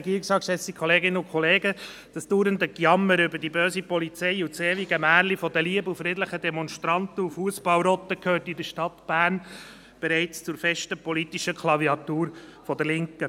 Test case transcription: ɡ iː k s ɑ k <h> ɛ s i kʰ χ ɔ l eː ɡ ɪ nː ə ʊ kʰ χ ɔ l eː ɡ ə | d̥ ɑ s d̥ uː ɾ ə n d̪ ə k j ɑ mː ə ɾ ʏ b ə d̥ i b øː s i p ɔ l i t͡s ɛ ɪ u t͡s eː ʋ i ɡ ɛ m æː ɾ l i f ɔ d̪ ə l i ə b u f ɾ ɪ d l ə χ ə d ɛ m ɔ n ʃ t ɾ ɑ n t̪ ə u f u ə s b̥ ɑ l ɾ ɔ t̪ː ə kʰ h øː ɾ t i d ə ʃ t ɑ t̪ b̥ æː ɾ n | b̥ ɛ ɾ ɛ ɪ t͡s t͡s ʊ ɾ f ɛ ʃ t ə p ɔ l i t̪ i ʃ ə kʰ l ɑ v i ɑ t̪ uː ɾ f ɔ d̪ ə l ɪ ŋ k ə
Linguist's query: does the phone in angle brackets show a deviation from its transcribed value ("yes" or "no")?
yes